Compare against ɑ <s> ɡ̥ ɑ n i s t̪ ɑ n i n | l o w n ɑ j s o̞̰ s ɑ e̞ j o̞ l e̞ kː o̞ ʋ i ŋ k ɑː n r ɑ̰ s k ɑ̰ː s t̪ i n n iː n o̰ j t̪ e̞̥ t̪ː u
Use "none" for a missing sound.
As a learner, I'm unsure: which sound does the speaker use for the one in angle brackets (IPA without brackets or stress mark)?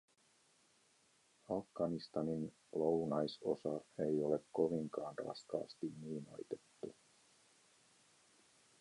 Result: f